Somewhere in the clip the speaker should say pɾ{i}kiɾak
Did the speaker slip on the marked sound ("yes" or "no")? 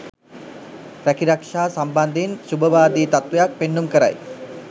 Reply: yes